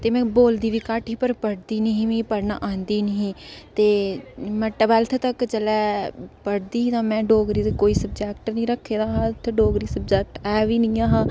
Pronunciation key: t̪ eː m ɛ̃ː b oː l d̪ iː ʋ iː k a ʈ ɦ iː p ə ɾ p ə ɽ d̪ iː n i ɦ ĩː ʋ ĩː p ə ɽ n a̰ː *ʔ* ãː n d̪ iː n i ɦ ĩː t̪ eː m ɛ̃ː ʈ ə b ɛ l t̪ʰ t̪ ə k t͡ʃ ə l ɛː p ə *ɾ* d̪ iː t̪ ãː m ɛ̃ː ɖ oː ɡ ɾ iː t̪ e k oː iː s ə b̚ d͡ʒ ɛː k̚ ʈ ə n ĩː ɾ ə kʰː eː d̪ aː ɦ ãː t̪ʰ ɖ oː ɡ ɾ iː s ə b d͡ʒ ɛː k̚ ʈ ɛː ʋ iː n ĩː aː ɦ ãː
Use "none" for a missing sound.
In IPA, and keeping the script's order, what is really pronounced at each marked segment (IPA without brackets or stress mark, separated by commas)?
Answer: ʔ, ɽ